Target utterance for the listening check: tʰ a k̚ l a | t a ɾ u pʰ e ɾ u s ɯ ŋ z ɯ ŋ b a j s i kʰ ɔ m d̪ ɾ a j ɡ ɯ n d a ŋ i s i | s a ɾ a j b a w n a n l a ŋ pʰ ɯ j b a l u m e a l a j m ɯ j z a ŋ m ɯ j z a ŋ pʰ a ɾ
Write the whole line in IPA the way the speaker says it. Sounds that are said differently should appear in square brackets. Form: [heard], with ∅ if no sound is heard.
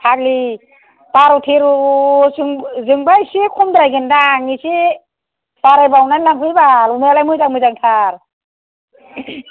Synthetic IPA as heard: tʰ a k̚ l [i] | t a ɾ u [tʰ] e ɾ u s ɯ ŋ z ɯ ŋ b a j s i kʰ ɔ m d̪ ɾ a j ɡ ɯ n d a ŋ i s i | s a ɾ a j b a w n a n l a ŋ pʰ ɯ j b a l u m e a l a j m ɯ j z a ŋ m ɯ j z a ŋ [tʰ] a ɾ